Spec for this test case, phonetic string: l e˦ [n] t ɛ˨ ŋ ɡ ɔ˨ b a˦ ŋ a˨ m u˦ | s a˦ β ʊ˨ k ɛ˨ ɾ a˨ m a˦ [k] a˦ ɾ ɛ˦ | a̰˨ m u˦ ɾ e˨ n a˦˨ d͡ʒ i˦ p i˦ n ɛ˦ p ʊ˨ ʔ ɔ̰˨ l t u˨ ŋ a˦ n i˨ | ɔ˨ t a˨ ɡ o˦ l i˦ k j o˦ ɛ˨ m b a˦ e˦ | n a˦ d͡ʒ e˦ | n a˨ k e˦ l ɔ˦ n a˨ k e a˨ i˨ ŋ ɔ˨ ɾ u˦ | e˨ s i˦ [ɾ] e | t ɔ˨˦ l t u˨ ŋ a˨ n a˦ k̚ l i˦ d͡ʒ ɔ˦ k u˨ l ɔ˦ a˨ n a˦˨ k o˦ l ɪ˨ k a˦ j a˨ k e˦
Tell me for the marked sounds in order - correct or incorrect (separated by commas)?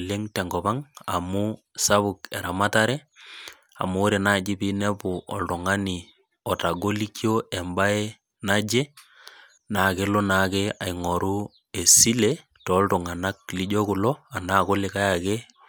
incorrect, incorrect, incorrect